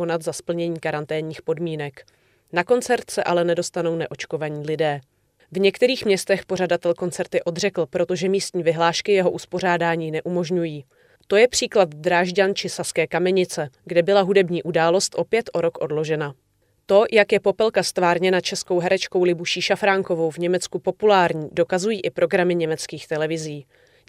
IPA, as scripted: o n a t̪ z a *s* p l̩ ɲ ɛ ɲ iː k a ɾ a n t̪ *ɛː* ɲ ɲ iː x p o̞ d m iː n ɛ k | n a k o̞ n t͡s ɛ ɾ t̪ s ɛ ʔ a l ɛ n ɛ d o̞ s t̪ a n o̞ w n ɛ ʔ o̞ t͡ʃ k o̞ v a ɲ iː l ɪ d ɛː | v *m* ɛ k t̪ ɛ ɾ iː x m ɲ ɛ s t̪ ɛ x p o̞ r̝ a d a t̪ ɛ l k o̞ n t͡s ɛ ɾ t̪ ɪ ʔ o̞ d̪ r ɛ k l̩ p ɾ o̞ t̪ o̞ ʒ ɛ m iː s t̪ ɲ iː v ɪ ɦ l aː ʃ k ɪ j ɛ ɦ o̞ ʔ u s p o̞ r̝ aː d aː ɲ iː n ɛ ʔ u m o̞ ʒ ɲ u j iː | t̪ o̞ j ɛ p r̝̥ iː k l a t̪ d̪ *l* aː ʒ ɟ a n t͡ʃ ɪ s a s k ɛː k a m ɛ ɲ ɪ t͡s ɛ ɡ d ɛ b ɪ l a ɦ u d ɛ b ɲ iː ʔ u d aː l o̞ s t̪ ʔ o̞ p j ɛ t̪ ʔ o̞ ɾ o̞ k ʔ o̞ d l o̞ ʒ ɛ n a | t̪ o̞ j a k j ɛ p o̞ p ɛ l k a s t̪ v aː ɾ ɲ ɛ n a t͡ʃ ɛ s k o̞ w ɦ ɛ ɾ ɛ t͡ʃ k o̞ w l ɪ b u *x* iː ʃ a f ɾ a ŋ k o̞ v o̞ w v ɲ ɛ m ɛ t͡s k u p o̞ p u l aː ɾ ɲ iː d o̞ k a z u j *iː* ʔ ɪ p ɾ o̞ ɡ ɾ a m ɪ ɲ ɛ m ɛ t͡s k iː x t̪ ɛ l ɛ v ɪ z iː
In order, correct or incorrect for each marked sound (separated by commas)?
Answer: correct, correct, incorrect, incorrect, incorrect, correct